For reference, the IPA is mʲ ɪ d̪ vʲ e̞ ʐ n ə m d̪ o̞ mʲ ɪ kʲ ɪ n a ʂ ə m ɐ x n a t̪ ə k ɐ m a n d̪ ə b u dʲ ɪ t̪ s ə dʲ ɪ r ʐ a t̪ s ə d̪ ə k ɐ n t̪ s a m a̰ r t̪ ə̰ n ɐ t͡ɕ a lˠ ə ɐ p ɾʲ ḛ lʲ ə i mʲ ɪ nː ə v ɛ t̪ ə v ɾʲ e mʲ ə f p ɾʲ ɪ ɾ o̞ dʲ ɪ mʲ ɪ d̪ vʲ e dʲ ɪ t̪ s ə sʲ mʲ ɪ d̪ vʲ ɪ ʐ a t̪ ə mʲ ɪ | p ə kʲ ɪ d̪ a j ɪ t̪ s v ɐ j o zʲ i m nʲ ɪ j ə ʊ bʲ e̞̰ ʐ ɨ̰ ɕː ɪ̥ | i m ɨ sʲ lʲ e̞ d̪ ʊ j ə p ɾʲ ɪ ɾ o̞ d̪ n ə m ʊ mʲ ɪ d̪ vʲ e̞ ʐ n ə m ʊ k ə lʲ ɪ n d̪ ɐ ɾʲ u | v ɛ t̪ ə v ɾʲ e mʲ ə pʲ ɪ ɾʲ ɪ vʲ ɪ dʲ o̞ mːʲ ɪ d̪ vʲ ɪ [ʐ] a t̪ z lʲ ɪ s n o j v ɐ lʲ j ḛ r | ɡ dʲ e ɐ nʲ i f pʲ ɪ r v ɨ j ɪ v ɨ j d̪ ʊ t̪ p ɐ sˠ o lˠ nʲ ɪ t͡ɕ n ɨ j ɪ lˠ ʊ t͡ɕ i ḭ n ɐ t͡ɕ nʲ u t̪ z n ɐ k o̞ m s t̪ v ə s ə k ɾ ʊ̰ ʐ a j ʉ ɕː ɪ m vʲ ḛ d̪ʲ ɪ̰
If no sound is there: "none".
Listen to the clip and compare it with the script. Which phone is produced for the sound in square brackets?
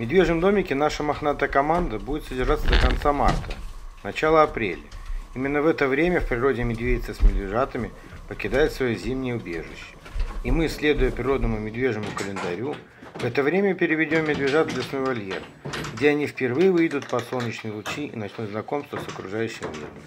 ʐ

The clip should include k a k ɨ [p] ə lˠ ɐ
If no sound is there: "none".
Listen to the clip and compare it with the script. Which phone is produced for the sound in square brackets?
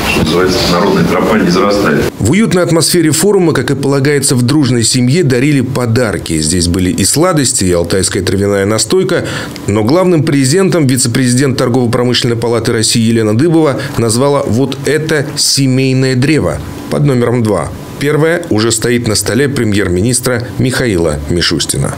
p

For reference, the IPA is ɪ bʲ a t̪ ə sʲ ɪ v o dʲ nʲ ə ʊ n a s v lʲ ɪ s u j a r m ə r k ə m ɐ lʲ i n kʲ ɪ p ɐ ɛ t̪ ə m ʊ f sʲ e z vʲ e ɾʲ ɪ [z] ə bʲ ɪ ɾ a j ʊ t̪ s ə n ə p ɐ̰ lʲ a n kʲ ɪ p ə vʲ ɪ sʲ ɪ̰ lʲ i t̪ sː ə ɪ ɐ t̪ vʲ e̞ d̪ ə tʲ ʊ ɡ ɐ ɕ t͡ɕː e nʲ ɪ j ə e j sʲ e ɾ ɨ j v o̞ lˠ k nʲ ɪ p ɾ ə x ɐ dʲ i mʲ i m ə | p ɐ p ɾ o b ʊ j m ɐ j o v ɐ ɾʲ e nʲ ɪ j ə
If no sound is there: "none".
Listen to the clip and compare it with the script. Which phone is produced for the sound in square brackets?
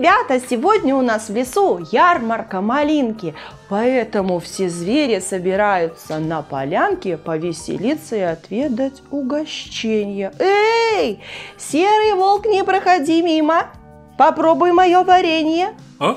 s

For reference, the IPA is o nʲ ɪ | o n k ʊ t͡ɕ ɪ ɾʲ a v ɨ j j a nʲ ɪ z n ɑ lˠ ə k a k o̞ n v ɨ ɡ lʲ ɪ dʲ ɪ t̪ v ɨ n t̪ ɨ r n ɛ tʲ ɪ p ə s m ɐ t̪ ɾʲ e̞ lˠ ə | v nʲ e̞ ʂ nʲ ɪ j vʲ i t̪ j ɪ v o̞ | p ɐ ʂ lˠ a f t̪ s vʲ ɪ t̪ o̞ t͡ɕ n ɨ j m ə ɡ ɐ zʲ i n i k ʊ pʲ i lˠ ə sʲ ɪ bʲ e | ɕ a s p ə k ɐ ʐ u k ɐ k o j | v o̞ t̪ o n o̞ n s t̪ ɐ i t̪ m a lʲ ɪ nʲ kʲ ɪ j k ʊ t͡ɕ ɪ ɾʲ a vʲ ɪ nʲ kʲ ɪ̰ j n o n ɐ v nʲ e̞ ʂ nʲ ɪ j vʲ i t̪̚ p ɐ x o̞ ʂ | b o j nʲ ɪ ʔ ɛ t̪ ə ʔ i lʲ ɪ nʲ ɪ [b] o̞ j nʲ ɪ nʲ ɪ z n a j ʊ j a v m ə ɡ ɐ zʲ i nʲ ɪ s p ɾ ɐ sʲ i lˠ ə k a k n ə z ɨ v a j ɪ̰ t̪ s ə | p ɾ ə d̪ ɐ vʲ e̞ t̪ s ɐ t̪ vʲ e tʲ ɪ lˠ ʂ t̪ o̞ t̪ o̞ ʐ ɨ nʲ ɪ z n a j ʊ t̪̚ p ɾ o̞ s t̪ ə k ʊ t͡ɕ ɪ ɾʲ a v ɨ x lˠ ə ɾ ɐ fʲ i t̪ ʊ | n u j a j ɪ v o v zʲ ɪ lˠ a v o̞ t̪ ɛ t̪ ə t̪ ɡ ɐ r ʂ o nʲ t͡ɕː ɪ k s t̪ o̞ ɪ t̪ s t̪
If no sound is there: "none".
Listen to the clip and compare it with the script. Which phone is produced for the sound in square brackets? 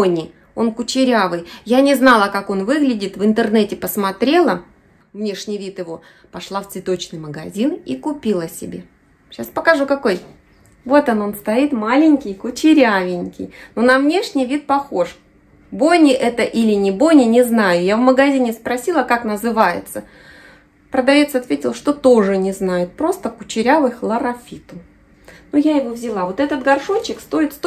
b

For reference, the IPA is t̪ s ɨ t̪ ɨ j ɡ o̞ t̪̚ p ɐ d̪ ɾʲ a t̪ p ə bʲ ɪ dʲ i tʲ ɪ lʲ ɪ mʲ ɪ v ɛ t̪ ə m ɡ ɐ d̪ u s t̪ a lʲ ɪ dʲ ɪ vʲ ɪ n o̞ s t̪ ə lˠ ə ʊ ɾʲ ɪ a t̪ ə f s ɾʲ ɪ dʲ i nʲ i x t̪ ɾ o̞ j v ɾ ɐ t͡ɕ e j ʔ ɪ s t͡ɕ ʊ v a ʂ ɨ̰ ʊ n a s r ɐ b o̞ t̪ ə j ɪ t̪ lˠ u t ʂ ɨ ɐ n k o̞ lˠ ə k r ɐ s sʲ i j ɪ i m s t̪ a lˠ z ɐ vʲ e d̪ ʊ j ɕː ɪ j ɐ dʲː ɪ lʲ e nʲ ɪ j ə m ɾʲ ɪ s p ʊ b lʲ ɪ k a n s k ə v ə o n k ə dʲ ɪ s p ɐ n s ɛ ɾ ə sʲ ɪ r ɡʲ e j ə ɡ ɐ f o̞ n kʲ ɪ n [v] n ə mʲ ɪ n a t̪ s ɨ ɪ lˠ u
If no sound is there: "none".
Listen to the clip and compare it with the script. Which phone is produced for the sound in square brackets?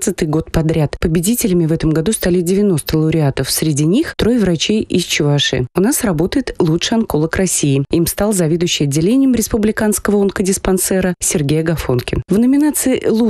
v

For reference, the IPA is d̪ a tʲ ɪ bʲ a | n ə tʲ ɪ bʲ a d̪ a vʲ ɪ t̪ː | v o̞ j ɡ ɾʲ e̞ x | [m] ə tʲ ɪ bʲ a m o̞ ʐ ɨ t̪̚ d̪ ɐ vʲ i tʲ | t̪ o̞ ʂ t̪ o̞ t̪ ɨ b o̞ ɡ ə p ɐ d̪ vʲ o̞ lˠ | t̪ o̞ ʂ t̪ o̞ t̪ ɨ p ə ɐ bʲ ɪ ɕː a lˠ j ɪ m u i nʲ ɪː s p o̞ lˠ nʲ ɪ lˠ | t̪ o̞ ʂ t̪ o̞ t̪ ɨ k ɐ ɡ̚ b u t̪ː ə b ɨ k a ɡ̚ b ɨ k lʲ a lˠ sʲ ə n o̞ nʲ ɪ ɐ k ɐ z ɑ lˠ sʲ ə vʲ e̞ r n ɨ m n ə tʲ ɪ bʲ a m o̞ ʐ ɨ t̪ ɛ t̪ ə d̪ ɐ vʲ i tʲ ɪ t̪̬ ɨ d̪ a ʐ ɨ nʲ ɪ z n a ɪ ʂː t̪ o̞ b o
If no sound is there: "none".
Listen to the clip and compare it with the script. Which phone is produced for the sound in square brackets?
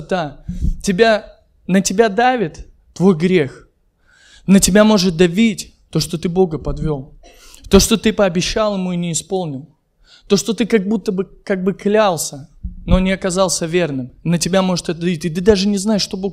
n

